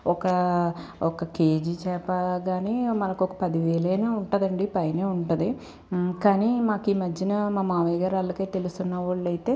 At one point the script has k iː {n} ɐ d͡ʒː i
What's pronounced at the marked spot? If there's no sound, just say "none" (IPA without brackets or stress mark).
m